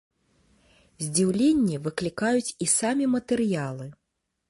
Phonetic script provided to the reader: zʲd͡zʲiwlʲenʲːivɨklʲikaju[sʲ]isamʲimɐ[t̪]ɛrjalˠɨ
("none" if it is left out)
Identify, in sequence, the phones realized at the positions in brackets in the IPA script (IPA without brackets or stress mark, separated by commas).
t͡sʲ, t̪